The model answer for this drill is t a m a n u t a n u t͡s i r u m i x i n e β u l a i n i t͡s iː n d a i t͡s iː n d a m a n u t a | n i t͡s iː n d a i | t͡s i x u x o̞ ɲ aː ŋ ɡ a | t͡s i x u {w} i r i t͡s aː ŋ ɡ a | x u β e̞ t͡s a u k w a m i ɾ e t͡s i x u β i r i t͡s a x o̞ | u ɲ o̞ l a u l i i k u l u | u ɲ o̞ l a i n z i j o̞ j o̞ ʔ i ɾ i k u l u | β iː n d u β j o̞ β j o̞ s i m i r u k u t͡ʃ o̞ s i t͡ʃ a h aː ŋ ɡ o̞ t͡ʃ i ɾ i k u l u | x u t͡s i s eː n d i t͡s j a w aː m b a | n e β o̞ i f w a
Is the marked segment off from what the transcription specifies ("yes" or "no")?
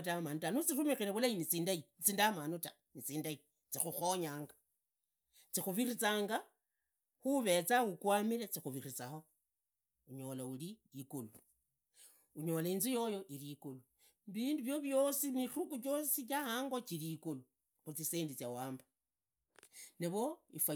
yes